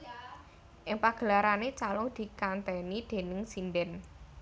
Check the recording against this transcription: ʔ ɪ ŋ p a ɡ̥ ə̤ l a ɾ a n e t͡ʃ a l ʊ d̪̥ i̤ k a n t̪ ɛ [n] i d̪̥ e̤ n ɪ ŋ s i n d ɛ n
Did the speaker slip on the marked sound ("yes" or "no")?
no